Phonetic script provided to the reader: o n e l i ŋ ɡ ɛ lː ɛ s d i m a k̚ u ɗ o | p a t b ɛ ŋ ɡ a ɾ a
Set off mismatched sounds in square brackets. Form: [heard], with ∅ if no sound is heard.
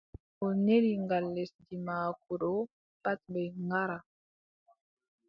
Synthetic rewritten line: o n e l i ŋ ɡ [a] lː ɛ s d i m a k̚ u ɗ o | p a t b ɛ ŋ ɡ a ɾ a